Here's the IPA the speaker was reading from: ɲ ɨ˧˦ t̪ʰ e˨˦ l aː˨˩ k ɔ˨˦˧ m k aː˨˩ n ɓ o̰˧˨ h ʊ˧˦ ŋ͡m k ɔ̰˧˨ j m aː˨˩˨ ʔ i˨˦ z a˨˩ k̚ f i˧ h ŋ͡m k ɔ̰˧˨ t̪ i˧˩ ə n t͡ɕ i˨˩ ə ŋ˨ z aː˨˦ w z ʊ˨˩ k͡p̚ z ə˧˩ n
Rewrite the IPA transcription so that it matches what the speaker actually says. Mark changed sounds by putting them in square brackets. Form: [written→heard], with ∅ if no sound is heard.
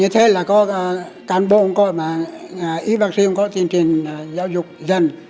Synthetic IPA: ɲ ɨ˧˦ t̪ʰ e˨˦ l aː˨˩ k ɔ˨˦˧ [m→∅] k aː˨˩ n ɓ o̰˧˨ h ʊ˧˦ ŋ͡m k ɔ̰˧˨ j m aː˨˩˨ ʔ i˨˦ [z→v] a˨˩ k̚ [f→s] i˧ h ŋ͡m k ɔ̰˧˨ t̪ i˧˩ ə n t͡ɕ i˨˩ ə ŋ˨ z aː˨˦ w z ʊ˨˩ k͡p̚ z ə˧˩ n